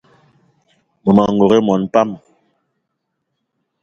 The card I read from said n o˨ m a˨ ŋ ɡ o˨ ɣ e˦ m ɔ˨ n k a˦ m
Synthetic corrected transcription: m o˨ m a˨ ŋ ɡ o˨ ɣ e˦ m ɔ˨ n p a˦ m